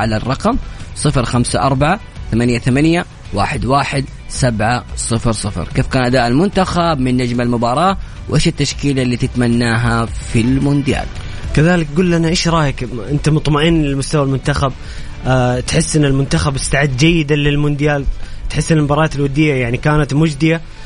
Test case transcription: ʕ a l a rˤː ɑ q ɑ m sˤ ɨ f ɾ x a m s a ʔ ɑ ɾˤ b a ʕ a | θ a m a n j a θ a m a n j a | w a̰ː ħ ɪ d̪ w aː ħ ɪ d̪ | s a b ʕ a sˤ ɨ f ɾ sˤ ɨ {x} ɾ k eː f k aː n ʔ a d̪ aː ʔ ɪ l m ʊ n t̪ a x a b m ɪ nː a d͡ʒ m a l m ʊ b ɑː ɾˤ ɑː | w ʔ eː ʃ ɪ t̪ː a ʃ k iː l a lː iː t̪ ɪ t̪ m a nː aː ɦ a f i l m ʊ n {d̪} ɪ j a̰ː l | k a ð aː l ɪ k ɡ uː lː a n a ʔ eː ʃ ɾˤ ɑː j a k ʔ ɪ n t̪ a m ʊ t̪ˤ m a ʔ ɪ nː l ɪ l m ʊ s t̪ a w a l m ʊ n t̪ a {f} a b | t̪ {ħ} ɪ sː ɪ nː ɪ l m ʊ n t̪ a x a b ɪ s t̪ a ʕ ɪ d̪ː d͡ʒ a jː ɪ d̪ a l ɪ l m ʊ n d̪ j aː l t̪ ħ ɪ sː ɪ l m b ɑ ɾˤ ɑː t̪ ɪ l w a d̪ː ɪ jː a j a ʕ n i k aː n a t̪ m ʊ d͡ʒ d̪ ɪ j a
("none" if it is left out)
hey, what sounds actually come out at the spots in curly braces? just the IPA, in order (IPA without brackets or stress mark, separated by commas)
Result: f, d̪, x, ħ